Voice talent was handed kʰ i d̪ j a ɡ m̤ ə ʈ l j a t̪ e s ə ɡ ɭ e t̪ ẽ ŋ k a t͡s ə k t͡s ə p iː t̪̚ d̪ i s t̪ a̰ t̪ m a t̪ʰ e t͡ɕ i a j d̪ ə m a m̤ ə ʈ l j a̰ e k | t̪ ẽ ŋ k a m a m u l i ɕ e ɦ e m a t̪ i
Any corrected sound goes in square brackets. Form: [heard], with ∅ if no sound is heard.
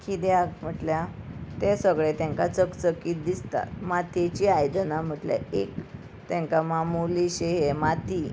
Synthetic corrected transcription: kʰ i d̪ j a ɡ m̤ ə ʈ l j a t̪ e s ə ɡ ɭ e t̪ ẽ ŋ k a t͡s ə k t͡s ə [k] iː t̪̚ d̪ i s t̪ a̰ t̪ m a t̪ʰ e t͡ɕ i a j d̪ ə [n] a m̤ ə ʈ l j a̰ e k | t̪ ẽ ŋ k a m a m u l i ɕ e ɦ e m a t̪ i